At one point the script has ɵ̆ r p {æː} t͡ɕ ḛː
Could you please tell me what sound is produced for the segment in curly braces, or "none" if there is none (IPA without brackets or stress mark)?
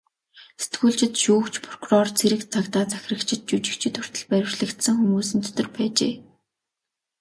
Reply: æː